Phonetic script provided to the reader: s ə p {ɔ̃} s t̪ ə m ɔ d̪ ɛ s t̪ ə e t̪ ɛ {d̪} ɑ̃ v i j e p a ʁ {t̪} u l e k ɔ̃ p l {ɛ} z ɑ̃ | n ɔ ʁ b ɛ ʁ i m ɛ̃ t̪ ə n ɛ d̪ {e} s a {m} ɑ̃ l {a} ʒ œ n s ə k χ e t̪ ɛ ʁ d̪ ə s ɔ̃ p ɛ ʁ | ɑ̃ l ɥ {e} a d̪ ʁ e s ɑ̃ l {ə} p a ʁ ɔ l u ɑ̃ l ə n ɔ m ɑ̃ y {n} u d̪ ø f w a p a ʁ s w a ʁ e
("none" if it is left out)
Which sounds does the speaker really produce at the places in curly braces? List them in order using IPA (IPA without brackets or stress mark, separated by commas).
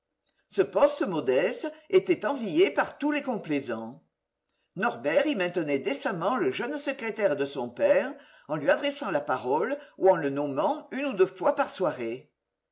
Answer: ɔ, t̪, t̪, e, e, m, ə, i, a, n